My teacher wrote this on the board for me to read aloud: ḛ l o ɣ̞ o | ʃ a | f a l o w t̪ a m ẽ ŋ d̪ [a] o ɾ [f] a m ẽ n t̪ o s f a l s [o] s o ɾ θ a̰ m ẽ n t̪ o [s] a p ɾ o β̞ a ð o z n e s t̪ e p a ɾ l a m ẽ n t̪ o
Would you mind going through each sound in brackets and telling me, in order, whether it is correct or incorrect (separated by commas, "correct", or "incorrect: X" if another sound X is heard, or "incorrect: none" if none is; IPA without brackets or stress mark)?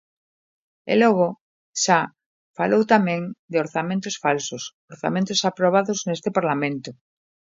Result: incorrect: e, incorrect: θ, correct, correct